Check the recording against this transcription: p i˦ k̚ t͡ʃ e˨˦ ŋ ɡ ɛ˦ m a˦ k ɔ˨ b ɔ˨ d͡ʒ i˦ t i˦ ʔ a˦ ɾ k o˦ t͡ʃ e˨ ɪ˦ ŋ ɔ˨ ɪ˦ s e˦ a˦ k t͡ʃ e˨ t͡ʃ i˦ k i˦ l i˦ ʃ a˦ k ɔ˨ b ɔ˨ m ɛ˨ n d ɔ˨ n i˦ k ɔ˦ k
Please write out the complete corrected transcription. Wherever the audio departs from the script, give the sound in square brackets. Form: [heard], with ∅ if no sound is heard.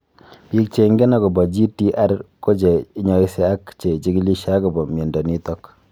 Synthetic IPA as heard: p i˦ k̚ t͡ʃ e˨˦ ŋ ɡ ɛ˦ [n] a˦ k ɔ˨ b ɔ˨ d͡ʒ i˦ t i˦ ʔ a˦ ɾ k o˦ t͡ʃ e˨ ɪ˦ [ɲ] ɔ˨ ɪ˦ s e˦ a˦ k t͡ʃ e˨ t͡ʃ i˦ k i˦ l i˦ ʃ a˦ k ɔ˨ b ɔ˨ m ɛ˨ n d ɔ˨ n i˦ [t] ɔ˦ k